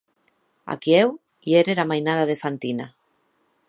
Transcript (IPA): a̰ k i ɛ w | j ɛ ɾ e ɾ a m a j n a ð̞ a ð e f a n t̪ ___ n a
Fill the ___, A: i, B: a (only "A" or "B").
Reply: A